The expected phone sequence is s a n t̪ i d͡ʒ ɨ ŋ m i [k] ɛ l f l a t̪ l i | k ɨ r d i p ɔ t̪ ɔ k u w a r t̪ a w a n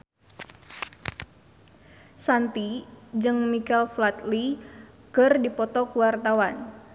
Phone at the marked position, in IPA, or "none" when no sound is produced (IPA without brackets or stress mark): k